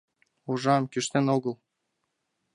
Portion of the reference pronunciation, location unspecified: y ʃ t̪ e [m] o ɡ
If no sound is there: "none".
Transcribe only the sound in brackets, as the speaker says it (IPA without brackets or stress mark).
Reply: n